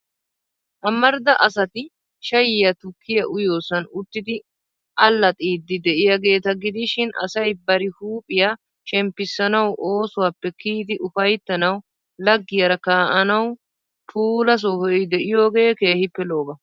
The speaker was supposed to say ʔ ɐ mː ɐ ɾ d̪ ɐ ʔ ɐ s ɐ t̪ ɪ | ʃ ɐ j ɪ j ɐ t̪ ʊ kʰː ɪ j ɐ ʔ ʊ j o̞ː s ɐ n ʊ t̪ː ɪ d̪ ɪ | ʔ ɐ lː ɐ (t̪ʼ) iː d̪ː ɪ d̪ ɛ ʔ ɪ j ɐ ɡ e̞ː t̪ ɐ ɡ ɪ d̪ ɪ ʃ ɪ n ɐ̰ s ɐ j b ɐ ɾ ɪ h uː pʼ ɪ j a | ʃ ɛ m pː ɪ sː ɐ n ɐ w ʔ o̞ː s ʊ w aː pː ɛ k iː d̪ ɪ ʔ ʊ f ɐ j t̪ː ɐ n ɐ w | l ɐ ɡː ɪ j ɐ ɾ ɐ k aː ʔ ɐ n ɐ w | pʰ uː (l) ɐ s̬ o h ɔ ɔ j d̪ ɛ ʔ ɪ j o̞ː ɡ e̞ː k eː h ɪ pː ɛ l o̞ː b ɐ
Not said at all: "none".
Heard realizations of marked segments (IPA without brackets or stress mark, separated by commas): t̪ʼ, l